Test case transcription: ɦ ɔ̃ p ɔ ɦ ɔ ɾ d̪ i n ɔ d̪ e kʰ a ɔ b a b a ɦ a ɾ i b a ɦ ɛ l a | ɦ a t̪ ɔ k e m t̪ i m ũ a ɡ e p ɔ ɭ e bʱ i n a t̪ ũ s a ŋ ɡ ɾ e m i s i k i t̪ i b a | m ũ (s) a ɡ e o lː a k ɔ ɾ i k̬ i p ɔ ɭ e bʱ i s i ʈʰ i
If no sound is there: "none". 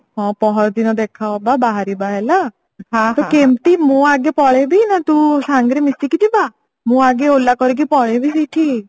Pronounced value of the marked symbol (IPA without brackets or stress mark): none